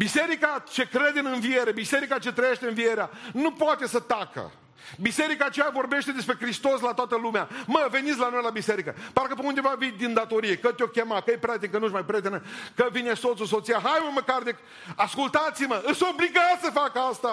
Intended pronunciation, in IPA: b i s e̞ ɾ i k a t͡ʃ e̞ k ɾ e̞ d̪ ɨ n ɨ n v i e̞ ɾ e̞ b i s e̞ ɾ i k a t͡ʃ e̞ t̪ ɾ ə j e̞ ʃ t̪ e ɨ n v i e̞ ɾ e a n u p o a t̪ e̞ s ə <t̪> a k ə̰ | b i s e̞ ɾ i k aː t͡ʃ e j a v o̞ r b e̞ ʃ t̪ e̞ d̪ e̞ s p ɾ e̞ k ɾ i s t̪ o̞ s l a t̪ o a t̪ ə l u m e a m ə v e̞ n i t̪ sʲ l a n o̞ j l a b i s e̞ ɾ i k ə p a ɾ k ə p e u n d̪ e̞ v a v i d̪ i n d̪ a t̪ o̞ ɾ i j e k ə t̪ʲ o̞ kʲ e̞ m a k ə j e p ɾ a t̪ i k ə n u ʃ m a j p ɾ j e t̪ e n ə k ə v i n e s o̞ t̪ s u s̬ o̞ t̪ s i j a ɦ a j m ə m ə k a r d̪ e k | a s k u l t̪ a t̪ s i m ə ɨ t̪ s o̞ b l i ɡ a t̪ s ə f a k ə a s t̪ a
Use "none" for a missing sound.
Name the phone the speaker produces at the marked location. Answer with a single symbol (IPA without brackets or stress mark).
t̪